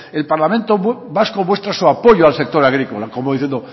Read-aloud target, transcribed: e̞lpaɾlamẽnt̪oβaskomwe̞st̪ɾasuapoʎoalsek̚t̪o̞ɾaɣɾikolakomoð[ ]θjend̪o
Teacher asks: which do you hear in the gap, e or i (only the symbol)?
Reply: i